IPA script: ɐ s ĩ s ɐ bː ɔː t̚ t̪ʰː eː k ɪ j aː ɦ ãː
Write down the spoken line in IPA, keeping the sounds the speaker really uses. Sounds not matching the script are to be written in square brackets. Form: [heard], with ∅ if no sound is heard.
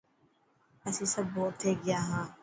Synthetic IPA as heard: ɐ s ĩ s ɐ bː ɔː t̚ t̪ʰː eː [ɡ] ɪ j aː ɦ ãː